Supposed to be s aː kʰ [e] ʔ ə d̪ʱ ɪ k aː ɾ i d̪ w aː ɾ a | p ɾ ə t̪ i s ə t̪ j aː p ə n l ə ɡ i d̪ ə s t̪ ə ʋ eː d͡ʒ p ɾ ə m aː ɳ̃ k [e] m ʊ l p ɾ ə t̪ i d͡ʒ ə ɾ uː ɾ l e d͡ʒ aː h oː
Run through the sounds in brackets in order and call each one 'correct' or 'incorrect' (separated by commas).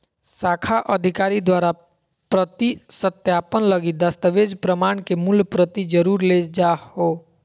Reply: incorrect, correct